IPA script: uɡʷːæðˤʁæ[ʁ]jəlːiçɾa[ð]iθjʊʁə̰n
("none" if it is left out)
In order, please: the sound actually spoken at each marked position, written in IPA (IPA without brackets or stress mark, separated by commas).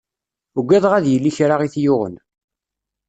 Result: ð, ʁ